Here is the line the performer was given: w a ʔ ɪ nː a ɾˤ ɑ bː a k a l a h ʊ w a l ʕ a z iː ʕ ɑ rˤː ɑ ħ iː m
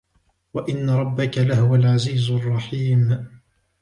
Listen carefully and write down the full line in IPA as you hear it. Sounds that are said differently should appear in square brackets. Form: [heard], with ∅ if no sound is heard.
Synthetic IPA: w a ʔ ɪ nː a ɾˤ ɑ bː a k a l a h ʊ w a l ʕ a z iː [z] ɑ rˤː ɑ ħ iː m